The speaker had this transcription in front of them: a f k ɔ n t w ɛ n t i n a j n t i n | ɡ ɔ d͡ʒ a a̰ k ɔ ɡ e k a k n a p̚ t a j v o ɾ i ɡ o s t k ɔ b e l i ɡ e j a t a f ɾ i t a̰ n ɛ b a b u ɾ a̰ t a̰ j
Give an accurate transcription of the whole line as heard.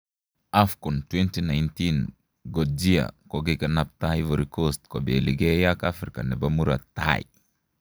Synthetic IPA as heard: a f k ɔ n t w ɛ n t i n a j n t i n | ɡ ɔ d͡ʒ i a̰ k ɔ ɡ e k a n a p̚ t a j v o ɾ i k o s t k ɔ b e l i ɡ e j a k a f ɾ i k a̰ n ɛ b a m u ɾ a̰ t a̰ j